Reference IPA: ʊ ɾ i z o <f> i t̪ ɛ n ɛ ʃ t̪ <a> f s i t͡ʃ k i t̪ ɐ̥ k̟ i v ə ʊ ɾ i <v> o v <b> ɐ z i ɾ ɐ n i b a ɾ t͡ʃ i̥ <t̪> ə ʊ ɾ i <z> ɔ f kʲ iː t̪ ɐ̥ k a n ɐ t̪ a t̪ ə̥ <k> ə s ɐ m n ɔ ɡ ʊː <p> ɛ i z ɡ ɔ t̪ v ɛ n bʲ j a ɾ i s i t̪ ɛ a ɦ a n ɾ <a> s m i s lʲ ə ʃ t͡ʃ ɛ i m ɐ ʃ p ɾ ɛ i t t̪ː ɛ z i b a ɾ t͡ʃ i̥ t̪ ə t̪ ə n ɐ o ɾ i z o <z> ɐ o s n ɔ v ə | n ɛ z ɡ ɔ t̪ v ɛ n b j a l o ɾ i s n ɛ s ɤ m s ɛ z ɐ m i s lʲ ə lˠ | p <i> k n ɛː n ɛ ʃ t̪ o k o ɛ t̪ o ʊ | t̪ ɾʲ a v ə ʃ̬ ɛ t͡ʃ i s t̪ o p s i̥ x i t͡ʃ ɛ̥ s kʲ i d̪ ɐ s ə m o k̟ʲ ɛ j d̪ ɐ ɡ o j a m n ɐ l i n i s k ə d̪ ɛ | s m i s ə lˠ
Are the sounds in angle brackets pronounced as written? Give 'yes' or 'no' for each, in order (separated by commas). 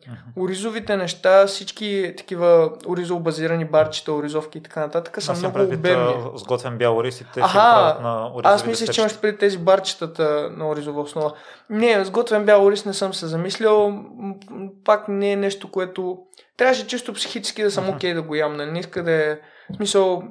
no, yes, no, yes, yes, yes, yes, no, yes, no, no